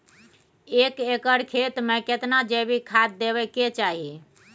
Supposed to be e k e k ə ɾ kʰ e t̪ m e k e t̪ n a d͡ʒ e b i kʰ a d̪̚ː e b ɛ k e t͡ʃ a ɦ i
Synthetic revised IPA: e k e k ə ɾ kʰ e t̪ m e k e t̪ n a d͡ʒ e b i kʰ a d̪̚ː e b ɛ k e t͡ʃ a ɦ i